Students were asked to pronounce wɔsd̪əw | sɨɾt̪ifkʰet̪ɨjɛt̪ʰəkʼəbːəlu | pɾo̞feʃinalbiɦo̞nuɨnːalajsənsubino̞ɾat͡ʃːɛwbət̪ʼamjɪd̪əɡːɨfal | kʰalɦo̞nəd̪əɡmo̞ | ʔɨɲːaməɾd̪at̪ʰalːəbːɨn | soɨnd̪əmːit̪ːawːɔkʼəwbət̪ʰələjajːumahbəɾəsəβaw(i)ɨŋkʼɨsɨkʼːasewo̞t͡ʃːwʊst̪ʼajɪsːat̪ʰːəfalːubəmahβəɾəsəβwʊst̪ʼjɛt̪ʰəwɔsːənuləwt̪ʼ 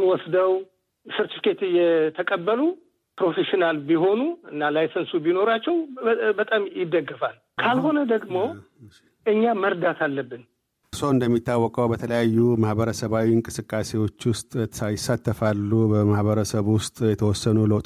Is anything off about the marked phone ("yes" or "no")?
no